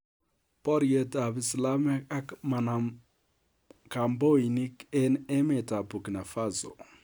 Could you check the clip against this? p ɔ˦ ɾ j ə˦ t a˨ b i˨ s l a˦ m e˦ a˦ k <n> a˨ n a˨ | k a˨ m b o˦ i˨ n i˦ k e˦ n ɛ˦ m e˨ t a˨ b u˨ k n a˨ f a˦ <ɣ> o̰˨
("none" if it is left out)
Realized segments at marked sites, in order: m, z

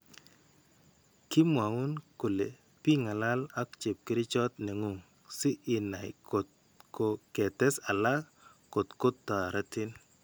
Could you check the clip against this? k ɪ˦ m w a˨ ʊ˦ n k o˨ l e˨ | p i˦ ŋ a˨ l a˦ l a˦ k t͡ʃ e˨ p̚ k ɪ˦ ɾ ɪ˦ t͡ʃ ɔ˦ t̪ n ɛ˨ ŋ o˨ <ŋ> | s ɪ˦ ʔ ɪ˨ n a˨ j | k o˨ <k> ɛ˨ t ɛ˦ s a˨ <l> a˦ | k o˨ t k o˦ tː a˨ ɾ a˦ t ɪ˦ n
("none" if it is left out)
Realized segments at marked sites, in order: ŋ, k, l

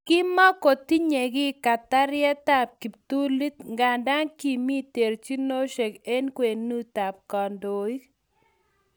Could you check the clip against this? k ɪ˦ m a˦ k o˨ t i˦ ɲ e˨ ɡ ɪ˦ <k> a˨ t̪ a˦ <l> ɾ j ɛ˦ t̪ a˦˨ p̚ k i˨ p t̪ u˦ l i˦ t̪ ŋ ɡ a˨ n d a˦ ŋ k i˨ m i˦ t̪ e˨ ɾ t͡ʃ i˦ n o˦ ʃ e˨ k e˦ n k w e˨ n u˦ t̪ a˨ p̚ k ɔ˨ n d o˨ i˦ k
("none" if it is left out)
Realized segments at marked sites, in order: k, none

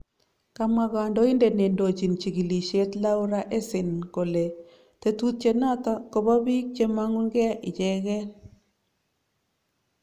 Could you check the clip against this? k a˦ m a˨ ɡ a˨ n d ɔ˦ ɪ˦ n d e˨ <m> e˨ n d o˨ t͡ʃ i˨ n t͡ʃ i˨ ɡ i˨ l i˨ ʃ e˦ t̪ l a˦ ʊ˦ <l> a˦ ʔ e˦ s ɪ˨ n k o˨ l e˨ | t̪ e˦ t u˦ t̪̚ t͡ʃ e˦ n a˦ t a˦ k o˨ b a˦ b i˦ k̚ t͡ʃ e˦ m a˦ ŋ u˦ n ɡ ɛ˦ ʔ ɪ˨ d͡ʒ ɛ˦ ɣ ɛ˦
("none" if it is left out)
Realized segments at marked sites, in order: n, ɾ

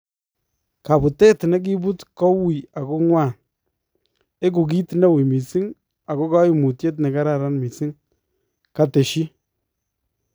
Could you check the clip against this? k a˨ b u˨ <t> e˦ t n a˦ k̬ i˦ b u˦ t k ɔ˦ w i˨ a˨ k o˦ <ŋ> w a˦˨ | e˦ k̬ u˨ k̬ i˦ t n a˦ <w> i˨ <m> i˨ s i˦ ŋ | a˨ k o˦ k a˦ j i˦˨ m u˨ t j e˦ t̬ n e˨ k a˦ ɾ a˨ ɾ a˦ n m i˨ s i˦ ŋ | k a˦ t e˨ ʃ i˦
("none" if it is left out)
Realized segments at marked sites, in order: t, ŋ, w, m

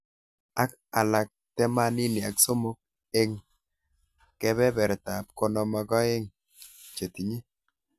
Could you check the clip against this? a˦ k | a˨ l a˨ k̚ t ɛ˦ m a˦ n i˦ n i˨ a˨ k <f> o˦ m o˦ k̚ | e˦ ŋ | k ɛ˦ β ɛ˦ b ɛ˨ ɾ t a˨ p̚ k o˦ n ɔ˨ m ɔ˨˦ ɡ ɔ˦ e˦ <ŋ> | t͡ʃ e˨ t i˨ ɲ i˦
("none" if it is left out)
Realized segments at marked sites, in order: s, ŋ

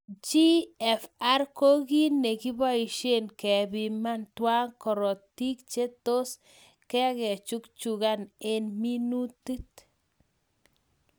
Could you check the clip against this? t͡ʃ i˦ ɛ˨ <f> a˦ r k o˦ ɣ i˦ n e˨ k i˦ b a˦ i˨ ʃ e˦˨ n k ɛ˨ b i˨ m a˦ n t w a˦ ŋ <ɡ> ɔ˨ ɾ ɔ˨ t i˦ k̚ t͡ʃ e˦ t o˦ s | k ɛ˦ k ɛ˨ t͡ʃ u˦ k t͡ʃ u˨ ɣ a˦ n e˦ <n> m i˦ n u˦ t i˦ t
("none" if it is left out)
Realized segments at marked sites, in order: f, k, n

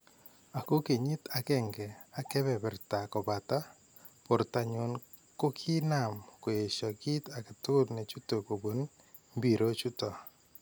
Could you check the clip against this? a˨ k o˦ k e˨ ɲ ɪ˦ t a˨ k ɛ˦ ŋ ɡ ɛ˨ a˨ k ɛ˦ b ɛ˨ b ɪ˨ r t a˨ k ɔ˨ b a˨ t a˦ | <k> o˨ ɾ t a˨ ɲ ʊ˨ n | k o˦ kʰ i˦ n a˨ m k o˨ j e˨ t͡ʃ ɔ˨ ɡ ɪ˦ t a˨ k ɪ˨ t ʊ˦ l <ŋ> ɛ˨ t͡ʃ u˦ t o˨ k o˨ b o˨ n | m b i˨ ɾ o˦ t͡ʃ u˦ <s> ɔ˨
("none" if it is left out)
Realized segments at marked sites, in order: p, n, t

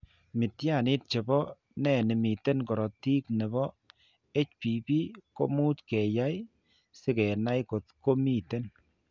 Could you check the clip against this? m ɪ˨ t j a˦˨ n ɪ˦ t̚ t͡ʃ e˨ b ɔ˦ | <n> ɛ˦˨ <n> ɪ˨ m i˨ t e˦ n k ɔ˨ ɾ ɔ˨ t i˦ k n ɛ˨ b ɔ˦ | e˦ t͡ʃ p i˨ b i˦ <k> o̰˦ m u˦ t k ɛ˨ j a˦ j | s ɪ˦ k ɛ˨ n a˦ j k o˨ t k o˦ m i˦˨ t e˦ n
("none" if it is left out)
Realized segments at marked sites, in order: n, n, k

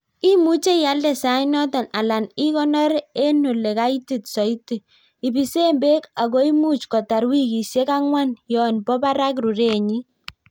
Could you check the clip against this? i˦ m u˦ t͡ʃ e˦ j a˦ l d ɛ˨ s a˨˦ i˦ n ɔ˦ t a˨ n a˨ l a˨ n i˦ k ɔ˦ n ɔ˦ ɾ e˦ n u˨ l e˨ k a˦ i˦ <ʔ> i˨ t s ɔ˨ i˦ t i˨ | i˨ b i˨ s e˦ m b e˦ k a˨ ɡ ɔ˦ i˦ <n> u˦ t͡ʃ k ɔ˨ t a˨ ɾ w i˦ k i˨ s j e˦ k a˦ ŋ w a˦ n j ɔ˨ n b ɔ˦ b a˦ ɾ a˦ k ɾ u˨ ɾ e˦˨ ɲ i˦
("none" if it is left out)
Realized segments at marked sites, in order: t, m

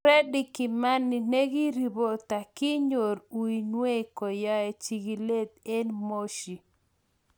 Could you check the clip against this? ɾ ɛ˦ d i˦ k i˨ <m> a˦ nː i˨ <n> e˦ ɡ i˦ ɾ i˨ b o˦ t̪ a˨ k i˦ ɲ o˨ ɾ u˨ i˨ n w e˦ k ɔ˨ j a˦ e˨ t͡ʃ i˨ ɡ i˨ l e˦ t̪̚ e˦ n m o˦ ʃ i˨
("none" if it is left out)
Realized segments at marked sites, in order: m, n

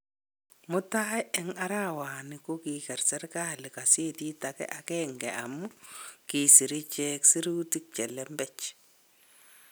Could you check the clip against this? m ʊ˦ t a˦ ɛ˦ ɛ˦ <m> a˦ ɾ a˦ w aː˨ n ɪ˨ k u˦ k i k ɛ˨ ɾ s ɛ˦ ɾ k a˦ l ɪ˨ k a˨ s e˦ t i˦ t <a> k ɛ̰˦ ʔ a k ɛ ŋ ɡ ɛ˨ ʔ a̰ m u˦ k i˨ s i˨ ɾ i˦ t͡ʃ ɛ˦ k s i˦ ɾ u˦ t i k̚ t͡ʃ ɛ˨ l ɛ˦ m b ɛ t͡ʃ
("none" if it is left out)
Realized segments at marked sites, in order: ŋ, a

